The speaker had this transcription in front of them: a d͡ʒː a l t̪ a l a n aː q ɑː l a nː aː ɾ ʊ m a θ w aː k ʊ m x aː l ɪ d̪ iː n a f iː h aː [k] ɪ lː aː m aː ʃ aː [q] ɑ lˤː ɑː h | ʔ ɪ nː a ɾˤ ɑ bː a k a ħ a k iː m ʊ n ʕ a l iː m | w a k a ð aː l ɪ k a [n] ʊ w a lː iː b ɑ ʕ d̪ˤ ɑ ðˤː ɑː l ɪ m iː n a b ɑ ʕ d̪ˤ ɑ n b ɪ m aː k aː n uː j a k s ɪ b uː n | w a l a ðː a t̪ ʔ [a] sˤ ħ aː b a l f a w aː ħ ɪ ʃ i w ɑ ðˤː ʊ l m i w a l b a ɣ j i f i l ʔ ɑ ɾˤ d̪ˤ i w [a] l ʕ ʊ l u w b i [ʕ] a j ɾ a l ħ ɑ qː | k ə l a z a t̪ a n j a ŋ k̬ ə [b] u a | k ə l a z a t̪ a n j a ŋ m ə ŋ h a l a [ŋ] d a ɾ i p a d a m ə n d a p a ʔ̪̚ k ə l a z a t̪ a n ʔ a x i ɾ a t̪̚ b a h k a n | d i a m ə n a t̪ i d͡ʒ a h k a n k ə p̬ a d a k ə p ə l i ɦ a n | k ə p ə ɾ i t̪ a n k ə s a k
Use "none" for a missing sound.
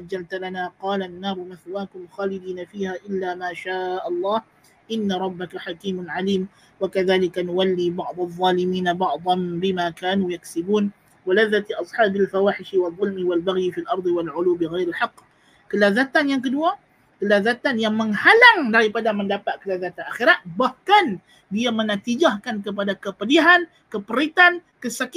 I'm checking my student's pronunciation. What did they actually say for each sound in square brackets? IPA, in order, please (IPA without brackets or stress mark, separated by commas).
ʔ, ʔ, n, ɑ, a, ɣ, d, ŋ